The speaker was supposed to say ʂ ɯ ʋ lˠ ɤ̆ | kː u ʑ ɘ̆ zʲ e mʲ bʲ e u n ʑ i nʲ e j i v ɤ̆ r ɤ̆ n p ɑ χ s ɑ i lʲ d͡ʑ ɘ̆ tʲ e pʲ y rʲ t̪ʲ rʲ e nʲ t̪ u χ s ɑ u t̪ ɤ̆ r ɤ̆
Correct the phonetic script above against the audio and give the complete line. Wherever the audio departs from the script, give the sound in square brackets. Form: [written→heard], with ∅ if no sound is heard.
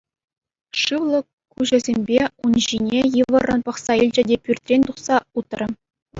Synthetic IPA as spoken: ʂ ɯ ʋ lˠ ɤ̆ | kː u ʑ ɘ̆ zʲ e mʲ bʲ e u n ʑ i nʲ e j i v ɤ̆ r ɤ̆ n p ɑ χ s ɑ i lʲ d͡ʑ ɘ̆ [tʲ→dʲ] e pʲ y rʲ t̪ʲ rʲ e nʲ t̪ u χ s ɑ u t̪ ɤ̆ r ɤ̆